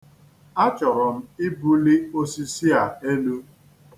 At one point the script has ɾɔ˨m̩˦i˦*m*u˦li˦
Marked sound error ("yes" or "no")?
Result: yes